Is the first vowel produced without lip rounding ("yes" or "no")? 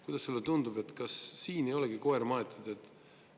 no